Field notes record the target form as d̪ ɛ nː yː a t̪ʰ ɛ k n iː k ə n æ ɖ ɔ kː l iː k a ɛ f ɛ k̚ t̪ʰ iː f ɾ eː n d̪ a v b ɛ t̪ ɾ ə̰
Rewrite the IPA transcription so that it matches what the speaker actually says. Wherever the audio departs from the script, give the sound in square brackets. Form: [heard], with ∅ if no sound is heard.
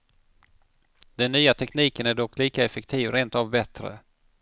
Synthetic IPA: d̪ ɛ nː yː a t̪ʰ ɛ k n iː k ə n æ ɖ ɔ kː l iː k a ɛ f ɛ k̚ t̪ʰ iː [v] ɾ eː n [t̪] a v b ɛ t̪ ɾ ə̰